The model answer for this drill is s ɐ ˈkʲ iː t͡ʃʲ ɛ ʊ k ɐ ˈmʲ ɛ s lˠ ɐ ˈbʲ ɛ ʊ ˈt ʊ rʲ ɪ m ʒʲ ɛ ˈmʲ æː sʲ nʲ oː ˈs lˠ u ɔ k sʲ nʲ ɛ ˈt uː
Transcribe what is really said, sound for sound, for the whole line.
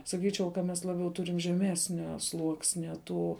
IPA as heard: s ɐ ˈkʲ iː t͡ʃʲ ɛ ʊ k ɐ ˈmʲ ɛ s lˠ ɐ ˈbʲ ɛ ʊ ˈt ʊ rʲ ɪ m ʒʲ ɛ ˈmʲ æː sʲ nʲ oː ˈs lˠ u ɔ k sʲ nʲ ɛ ˈt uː